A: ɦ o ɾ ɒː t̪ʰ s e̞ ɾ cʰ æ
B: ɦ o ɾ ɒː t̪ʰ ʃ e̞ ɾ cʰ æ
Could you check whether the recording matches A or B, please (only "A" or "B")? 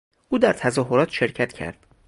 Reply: B